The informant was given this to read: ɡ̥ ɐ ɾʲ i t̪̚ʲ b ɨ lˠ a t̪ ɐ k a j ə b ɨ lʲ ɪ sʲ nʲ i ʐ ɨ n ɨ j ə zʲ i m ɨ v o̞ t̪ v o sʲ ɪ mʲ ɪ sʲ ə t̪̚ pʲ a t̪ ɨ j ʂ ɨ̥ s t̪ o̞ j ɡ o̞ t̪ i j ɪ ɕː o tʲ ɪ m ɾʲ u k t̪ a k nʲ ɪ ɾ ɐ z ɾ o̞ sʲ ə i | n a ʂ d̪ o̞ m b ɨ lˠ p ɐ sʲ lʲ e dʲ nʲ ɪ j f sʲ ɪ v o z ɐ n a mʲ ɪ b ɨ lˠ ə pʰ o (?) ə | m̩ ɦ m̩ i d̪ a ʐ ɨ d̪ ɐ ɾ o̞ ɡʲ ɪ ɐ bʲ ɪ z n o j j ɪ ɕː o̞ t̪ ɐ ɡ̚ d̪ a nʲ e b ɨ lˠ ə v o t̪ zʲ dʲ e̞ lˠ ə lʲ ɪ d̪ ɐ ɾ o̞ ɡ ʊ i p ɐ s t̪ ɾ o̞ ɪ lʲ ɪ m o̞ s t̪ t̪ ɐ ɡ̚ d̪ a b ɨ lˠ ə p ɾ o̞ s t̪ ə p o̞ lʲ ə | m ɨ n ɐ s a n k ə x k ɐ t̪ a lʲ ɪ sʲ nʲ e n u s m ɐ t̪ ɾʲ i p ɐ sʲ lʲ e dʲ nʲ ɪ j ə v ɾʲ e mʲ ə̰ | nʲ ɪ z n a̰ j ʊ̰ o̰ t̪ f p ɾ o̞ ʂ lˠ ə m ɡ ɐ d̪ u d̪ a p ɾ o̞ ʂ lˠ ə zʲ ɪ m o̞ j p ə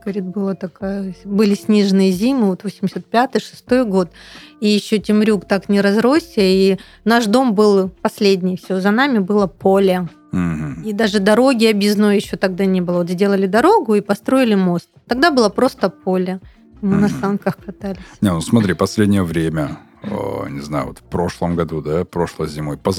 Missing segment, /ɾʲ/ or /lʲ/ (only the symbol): lʲ